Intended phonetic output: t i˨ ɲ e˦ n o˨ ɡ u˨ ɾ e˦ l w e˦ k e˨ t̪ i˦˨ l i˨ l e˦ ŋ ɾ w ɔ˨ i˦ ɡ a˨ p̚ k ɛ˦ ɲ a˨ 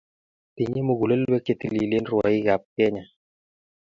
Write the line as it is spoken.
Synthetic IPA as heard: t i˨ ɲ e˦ m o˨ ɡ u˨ l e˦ l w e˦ k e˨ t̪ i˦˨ l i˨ l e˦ n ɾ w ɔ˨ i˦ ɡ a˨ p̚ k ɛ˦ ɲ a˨